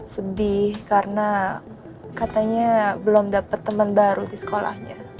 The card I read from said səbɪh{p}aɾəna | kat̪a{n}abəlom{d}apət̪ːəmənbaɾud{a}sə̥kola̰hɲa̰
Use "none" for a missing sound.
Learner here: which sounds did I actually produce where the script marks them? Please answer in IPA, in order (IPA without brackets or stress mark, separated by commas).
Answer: k, ɲ, d, i